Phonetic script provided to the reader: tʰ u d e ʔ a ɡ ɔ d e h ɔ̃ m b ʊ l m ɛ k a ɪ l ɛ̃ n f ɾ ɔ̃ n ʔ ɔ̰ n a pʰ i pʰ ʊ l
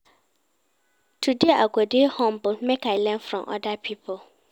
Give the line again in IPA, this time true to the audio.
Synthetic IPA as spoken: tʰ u d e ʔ a ɡ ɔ d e h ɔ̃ m b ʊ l m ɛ k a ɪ l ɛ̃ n f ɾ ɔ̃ m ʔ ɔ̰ d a pʰ i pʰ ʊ l